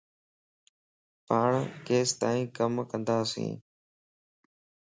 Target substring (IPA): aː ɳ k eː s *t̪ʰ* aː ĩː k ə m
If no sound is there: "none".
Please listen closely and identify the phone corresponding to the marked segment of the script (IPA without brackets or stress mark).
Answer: t̪